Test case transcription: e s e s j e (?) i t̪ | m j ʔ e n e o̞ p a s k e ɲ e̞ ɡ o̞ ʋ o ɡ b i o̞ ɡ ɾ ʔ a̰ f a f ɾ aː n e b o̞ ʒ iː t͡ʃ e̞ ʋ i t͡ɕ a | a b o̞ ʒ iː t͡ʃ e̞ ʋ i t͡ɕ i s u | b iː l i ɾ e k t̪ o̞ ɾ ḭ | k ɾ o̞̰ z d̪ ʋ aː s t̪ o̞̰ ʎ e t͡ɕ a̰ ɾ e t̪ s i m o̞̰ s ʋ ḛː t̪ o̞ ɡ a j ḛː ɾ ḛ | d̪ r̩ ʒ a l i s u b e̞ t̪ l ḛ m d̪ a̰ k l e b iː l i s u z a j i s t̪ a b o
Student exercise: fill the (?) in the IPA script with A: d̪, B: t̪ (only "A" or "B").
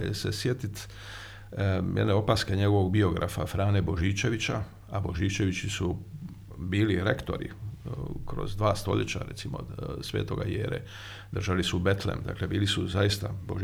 B